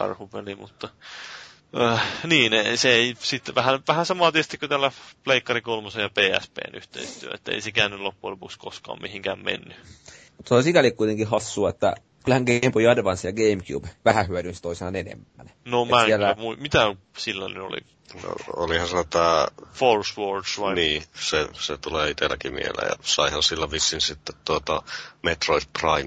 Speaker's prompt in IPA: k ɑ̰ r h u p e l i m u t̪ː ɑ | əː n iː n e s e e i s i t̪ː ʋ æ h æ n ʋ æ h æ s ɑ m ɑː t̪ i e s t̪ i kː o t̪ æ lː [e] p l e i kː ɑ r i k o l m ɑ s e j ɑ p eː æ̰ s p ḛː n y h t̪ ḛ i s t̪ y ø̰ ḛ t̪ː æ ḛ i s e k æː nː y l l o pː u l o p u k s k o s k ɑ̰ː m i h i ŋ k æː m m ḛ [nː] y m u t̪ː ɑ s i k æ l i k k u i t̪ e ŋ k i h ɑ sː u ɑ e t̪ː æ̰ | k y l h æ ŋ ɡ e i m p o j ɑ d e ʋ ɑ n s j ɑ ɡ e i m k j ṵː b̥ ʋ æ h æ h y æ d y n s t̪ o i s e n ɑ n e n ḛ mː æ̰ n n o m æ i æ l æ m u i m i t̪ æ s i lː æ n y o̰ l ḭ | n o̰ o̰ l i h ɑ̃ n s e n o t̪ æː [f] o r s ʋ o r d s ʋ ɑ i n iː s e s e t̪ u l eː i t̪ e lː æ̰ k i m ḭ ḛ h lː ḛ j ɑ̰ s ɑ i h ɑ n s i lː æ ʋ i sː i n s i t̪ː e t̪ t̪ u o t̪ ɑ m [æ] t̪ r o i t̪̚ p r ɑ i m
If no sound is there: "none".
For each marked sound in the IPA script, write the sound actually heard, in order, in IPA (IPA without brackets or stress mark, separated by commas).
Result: æ, nː, f, e